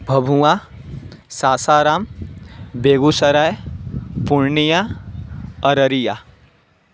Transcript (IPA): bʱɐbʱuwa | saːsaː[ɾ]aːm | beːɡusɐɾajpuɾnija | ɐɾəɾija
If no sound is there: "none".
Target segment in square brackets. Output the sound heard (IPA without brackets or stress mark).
ɾ